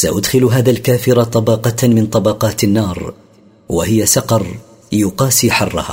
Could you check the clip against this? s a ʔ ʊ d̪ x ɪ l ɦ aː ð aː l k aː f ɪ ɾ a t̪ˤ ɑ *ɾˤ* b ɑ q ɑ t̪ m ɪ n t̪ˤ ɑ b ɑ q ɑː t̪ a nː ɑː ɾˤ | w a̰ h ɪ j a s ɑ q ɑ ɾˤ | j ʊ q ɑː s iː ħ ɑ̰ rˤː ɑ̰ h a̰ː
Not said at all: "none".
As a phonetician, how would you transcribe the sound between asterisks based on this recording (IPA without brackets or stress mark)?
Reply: none